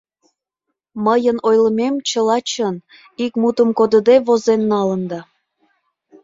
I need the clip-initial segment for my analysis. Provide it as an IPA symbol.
m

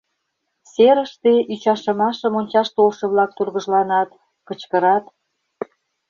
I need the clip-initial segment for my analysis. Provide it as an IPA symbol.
s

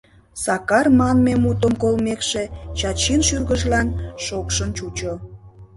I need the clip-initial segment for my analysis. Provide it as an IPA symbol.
s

